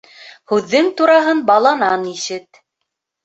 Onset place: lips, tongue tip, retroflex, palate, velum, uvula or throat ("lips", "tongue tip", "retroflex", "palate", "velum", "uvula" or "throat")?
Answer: throat